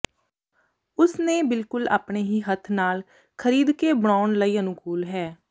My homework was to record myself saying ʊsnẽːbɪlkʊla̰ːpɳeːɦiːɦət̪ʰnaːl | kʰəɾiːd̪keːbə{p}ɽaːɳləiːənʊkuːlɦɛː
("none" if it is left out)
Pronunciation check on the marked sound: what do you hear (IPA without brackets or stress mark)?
none